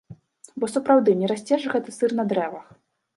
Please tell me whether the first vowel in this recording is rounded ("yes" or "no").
yes